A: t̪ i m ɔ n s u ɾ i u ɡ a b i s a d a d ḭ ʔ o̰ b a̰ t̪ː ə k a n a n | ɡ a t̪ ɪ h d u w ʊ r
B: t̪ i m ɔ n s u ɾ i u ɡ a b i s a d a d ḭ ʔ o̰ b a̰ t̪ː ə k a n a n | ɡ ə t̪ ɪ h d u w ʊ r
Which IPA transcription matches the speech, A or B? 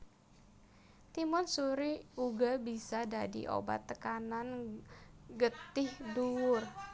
B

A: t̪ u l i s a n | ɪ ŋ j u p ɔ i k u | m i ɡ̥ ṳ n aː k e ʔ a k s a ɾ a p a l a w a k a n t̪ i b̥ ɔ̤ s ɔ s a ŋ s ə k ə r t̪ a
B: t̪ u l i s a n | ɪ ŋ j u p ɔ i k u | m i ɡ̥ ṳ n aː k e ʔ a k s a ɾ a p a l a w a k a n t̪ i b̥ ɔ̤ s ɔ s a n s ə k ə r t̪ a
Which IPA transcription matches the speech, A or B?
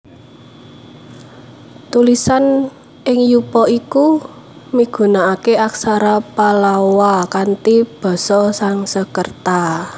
A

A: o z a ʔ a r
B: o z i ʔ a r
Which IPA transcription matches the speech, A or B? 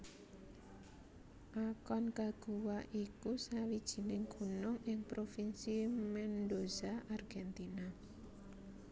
A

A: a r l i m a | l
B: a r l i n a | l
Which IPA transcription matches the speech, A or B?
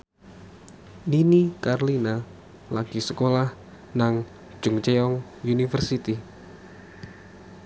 B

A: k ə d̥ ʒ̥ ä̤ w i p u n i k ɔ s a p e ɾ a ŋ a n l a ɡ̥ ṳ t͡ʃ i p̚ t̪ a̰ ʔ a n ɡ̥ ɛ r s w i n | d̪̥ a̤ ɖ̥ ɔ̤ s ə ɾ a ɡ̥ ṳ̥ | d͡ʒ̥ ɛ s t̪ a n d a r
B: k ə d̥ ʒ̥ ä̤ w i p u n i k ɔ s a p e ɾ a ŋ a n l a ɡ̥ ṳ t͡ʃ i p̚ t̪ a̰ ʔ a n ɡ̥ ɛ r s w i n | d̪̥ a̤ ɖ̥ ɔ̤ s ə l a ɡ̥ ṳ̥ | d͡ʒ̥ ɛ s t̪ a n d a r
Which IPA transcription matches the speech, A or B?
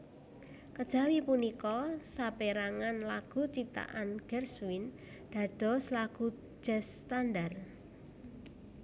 B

